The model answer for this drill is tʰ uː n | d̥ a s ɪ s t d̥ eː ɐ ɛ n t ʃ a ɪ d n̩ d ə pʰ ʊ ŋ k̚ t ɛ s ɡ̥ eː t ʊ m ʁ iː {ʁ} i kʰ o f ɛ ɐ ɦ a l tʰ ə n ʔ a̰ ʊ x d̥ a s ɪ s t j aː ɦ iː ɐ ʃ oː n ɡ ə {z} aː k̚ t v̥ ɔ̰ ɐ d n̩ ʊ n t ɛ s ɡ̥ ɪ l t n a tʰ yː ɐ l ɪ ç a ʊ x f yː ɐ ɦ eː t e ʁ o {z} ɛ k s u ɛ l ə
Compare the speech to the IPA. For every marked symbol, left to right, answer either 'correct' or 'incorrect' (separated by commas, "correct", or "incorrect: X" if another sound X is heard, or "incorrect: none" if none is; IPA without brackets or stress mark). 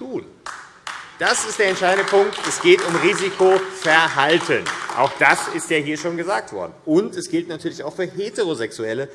incorrect: z, correct, correct